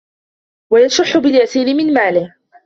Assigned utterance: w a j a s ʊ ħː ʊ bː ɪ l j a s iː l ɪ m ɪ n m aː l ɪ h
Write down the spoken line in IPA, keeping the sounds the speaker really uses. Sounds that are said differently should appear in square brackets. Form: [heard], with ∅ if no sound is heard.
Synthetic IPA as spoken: w a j a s ʊ ħː ʊ [b] ɪ l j a s iː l ɪ m ɪ n m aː l ɪ h